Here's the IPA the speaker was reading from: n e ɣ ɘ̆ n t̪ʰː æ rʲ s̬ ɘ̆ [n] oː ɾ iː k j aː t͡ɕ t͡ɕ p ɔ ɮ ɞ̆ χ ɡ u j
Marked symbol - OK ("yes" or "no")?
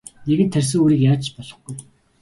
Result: no